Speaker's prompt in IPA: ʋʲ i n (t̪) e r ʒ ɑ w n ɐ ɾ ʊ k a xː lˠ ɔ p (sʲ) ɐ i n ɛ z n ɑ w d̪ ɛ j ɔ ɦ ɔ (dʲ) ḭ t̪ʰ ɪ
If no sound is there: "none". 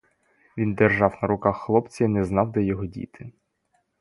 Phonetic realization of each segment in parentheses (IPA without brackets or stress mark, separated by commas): d̪, t͡sʲ, dʲ